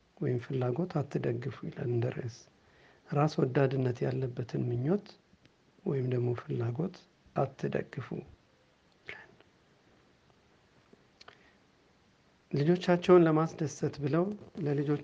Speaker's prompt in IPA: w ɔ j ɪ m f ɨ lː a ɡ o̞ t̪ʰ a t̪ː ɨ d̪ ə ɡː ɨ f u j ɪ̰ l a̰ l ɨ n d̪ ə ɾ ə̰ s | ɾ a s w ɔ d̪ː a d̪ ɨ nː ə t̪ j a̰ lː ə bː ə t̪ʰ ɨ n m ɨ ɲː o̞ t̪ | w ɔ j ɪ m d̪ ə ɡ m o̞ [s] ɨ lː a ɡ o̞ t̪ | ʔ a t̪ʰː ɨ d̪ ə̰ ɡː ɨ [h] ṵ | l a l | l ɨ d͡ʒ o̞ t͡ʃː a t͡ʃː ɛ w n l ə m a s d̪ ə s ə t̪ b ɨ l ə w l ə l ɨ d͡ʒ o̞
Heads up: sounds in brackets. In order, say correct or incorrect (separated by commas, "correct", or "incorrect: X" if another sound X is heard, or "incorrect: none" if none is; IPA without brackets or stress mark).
incorrect: f, incorrect: f